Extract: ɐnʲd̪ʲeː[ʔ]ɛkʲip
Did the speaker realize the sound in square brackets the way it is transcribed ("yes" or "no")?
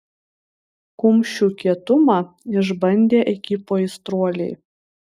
yes